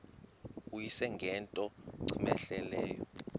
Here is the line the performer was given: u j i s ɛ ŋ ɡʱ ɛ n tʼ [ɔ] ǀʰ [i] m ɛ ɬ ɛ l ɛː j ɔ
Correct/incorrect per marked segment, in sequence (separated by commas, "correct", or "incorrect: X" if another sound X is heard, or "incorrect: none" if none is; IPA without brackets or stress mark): correct, correct